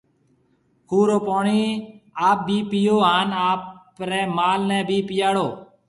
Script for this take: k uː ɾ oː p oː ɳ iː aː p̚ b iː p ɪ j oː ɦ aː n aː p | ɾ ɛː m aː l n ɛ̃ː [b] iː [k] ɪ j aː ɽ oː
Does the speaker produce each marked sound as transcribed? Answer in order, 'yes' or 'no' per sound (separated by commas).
yes, no